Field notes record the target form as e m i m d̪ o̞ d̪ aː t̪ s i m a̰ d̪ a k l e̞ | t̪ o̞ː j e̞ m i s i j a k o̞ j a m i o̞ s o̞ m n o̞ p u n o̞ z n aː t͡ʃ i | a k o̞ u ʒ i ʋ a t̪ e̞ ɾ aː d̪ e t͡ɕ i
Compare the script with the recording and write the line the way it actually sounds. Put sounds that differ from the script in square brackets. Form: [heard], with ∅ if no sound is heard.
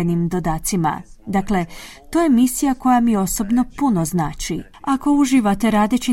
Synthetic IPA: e [n] i m d̪ o̞ d̪ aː t̪ s i m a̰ d̪ a k l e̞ | t̪ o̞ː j e̞ m i s i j a k o̞ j a m i o̞ s o̞ [b] n o̞ p u n o̞ z n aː t͡ʃ i | a k o̞ u ʒ i ʋ a t̪ e̞ ɾ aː d̪ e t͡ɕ i